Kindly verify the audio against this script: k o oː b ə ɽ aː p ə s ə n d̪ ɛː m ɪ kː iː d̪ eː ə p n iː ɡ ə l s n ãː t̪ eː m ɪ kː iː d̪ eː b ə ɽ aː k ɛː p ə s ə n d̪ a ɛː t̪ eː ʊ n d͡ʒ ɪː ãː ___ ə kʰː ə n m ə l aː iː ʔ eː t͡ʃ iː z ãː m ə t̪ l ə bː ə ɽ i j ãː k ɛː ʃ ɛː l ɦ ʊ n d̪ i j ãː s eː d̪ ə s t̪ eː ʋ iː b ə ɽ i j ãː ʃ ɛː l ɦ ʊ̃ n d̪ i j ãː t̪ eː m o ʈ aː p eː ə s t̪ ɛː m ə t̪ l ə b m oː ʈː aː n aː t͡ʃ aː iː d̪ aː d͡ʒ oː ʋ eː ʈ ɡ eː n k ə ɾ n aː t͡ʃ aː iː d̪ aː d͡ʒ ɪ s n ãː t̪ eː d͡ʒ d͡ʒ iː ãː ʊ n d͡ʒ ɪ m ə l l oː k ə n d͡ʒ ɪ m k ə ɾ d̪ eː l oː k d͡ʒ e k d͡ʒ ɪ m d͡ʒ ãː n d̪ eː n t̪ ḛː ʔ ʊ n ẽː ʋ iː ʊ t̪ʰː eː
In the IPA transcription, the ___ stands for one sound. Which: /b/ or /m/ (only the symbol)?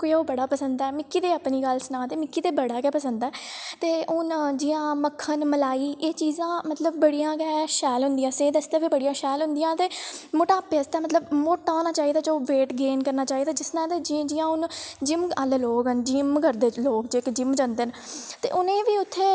m